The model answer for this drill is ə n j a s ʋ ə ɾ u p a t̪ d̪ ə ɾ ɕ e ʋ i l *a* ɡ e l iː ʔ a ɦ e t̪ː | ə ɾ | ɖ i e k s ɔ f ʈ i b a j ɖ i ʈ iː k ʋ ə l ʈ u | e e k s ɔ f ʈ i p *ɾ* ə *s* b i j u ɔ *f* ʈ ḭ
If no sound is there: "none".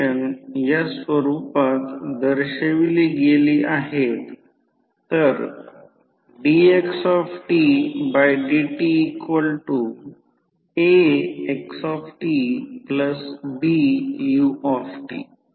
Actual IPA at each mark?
i, l, s, f

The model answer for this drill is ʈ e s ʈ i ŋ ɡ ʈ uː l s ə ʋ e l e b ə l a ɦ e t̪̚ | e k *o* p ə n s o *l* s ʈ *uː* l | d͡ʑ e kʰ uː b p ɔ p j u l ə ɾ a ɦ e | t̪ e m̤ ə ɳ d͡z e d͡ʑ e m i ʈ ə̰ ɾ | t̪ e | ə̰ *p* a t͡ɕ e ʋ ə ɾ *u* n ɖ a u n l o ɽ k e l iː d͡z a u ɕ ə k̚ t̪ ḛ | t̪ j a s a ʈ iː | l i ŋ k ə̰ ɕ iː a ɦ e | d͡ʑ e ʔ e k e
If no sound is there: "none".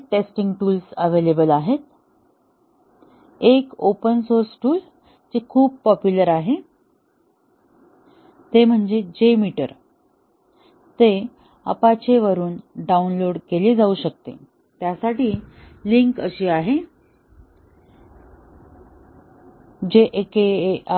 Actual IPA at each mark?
o, ɾ, uː, p, uː

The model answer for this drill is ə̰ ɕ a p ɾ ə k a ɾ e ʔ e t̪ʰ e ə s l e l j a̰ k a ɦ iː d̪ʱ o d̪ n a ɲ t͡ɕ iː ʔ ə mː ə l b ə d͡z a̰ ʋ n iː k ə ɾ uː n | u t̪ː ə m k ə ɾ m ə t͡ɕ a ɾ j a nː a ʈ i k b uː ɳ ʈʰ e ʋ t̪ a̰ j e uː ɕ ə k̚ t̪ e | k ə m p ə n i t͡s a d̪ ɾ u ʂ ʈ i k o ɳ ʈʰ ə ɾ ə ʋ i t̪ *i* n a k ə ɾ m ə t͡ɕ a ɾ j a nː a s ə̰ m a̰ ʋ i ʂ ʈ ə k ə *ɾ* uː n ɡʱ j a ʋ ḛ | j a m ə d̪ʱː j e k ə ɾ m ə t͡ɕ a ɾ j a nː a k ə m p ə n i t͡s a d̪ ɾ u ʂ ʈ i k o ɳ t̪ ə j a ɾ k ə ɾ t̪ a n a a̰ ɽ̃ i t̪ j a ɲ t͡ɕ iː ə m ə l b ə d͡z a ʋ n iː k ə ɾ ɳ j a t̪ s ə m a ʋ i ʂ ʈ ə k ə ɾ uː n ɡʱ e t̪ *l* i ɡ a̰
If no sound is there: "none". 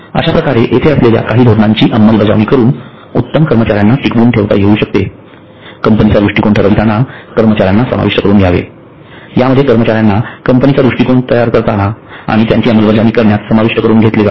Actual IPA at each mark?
a, ɾ, l

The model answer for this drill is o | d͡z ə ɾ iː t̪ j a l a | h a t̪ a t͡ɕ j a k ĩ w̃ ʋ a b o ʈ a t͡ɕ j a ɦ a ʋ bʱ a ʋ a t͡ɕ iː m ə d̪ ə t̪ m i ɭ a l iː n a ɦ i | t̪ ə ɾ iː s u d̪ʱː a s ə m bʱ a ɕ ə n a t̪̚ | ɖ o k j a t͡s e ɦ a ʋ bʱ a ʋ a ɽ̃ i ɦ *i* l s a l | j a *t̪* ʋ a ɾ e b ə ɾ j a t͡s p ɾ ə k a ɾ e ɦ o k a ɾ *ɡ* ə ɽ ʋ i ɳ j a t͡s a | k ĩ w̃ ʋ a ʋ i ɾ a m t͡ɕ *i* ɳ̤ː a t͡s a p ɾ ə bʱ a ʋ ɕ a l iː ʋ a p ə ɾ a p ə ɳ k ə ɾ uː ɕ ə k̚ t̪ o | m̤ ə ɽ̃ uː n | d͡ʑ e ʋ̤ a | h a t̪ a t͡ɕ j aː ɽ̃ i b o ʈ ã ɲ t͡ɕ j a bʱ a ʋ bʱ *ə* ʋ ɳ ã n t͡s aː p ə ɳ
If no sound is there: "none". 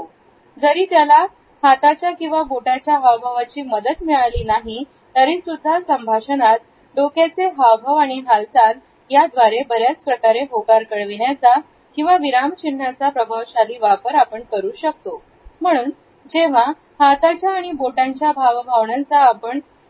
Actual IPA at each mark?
a, d̪, k, i, a

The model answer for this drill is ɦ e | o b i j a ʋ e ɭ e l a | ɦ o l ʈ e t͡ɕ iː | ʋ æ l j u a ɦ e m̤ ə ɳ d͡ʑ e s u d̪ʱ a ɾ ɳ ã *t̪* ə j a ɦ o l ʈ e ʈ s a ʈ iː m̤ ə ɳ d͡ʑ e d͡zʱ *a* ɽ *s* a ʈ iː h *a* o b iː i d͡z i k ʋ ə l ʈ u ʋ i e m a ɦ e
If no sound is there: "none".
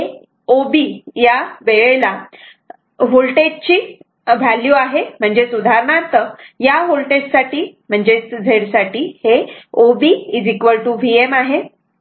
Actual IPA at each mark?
t̪, e, s, e

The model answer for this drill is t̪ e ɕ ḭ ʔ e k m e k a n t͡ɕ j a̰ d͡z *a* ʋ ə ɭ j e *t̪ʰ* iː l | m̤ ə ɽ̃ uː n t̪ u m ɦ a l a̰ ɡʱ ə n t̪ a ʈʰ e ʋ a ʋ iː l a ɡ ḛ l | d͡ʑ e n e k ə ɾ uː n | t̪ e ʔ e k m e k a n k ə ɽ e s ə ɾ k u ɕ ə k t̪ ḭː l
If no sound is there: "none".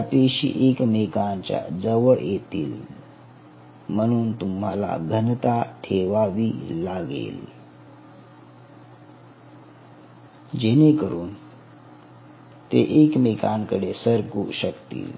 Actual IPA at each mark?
ə, t̪

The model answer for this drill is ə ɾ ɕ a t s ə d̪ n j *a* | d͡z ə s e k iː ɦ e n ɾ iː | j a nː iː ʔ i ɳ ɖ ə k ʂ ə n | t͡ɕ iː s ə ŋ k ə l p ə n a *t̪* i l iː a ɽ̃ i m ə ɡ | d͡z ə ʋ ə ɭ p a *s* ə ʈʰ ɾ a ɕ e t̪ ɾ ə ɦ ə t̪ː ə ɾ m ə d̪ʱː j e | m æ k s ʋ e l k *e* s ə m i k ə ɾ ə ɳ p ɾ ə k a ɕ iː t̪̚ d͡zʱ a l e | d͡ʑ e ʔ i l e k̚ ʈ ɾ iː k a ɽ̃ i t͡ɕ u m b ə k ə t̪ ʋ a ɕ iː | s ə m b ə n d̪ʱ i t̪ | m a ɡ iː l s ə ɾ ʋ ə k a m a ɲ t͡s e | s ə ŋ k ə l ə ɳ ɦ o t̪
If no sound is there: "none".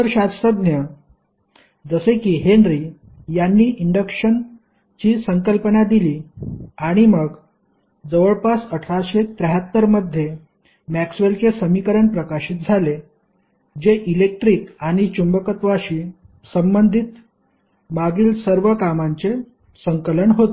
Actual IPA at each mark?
ə, d̪, s, e

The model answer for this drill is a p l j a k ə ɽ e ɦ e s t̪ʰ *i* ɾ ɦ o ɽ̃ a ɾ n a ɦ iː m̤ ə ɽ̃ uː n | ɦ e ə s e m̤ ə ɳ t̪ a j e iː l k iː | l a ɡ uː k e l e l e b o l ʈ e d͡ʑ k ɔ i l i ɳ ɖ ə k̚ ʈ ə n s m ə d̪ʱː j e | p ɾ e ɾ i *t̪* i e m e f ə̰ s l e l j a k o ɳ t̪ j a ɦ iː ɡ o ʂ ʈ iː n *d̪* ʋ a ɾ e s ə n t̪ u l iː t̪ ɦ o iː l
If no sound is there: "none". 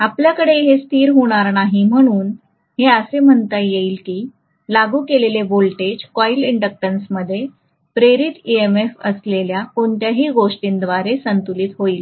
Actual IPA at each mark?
iː, t̪, d̪

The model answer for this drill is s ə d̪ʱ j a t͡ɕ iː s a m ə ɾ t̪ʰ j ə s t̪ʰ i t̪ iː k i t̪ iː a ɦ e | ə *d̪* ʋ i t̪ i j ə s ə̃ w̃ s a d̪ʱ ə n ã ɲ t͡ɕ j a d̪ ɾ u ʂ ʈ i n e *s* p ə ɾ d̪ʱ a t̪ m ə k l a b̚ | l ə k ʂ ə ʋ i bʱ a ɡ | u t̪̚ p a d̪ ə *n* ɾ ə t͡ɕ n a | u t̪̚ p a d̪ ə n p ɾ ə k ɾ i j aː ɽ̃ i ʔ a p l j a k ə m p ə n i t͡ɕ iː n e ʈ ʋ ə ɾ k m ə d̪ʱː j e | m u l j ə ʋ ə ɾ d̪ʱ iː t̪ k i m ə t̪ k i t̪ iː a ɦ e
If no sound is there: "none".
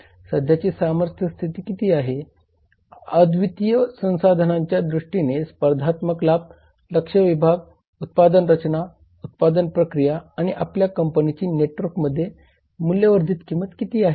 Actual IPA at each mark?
d̪, s, n

